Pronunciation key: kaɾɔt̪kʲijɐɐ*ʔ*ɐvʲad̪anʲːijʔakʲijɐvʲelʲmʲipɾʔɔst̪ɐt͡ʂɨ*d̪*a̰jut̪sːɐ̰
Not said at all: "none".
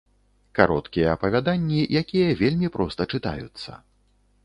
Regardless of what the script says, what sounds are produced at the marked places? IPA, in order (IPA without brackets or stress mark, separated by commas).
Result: p, t̪